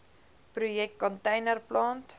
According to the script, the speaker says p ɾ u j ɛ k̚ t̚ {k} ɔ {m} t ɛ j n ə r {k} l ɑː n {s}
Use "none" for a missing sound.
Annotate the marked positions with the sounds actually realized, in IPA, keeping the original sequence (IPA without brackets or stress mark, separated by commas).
k, n, p, t